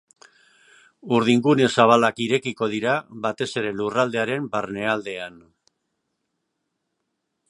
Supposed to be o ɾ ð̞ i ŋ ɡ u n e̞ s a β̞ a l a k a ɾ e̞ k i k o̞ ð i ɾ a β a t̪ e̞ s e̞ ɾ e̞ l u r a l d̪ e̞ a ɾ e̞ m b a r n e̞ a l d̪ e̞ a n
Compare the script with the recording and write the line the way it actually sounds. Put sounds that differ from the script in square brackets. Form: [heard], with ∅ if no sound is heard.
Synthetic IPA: [u] ɾ ð̞ i ŋ ɡ u n e̞ s a β̞ a l a k [i] ɾ e̞ k i k o̞ ð i ɾ a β a t̪ e̞ s e̞ ɾ e̞ l u r a l d̪ e̞ a ɾ e̞ m b a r n e̞ a l d̪ e̞ a n